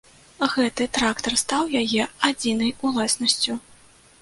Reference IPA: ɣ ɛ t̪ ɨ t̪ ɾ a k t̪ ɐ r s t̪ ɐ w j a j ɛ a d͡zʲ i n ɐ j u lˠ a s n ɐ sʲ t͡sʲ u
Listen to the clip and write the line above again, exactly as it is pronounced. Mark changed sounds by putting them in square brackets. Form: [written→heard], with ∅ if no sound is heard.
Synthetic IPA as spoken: ɣ ɛ t̪ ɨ t̪ ɾ a k t̪ ɐ r s t̪ [ɐ→a] w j a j ɛ a d͡zʲ i n ɐ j u lˠ a s n ɐ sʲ t͡sʲ u